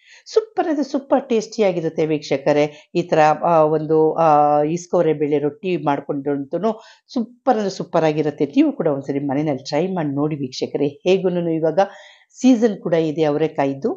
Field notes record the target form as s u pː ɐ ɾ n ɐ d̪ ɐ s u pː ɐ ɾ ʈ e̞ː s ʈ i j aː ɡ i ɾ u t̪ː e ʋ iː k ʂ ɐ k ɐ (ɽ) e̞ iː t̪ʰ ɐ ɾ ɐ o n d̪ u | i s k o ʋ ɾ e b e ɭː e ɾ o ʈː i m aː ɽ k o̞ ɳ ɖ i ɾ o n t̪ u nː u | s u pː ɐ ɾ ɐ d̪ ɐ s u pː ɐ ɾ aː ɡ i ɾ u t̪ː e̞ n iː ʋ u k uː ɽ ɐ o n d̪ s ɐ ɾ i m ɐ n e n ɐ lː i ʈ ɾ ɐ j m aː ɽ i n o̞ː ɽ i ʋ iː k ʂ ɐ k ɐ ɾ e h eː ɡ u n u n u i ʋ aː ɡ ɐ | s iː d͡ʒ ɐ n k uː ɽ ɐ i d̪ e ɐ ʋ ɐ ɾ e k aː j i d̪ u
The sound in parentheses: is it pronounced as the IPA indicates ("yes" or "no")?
no